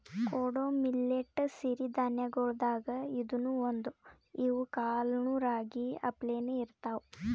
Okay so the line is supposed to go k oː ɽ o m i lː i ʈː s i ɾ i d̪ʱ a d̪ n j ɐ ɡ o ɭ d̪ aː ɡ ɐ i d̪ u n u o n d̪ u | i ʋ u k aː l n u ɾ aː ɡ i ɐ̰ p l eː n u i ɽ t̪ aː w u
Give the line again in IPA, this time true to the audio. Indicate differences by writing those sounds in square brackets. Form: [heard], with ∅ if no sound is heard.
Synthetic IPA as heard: k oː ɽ o m i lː [e] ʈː s i ɾ i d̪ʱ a [∅] n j ɐ ɡ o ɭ d̪ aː ɡ ɐ i d̪ u n u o n d̪ u | i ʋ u k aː l n u ɾ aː ɡ i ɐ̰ p l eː n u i [ɾ] t̪ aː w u